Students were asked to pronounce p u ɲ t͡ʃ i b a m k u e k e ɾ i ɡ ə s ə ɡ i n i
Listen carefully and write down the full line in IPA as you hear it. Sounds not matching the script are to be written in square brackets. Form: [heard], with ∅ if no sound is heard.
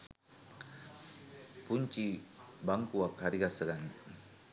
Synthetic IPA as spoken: p u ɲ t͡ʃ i b a [ŋ] k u [a] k [a] ɾ i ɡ [a] s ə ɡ [a] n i